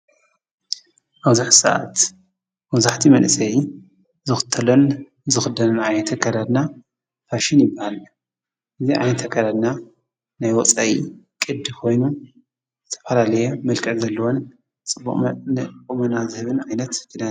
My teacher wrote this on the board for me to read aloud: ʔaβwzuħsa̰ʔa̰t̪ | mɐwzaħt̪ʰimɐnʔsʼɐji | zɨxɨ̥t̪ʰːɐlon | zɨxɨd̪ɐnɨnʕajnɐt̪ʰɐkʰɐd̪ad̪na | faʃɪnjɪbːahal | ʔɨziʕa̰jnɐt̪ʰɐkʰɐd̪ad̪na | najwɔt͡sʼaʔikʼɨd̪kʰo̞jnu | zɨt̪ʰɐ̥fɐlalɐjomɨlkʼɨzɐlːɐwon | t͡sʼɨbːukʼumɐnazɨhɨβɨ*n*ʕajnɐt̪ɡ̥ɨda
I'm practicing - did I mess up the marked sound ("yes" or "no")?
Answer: no